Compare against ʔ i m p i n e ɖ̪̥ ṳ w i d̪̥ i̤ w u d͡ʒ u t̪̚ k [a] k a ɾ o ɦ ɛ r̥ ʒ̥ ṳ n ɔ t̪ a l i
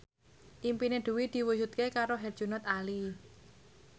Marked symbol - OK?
no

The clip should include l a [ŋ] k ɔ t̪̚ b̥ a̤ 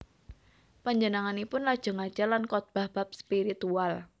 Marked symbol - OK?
no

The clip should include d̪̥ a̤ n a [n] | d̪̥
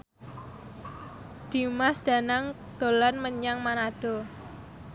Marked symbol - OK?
no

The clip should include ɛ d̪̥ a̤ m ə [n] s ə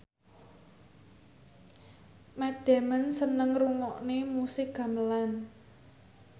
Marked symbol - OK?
yes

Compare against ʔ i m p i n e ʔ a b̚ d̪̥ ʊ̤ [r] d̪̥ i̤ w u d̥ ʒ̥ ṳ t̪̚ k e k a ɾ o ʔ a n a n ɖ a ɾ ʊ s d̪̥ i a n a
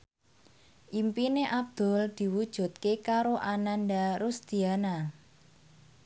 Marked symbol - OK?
no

